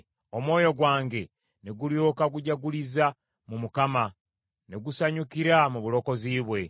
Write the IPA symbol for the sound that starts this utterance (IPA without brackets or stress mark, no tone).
o̞